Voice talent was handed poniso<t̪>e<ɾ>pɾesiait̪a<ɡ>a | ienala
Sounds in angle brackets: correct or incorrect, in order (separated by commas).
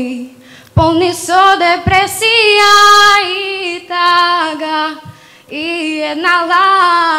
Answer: incorrect, incorrect, correct